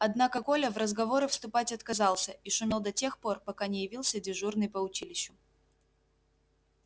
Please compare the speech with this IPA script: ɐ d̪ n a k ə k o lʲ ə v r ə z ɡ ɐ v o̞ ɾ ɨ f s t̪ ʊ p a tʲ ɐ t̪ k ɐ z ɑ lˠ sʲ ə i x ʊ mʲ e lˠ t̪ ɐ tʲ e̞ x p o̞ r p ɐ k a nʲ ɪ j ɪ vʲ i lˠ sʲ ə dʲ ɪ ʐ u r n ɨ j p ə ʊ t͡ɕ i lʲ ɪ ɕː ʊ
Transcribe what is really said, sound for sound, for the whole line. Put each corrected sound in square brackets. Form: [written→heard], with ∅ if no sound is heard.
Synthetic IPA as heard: ɐ d̪ n a k ə k o lʲ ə v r ə z ɡ ɐ v o̞ ɾ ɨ f s t̪ ʊ p a tʲ ɐ t̪ k ɐ z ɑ lˠ sʲ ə i [x→ʂ] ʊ mʲ e lˠ [t̪→d̪] ɐ tʲ e̞ x p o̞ r p ɐ k a nʲ ɪ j ɪ vʲ i lˠ sʲ ə dʲ ɪ ʐ u r n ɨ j p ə ʊ t͡ɕ i lʲ ɪ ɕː ʊ